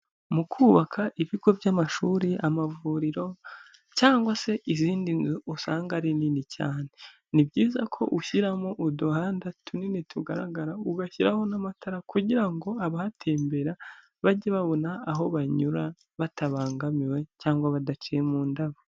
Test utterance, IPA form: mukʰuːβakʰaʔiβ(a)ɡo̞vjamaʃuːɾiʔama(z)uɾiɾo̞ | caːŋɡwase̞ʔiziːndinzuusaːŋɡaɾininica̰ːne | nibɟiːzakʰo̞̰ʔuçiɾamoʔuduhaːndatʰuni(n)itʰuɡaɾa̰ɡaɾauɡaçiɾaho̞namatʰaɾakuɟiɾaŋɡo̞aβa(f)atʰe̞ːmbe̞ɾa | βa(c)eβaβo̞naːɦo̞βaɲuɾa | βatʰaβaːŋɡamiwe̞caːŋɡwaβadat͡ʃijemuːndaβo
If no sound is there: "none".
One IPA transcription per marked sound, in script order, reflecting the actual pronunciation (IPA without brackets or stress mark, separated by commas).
i, v, n, h, ɟ